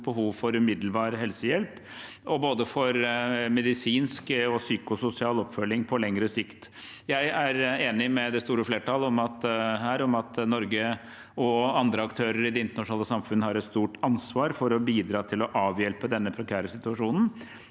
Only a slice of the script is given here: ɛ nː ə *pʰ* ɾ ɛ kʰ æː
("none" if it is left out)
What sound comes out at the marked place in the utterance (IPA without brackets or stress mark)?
pʰ